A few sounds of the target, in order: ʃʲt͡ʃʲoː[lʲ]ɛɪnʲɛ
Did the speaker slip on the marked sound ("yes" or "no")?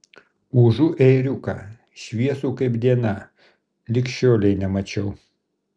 no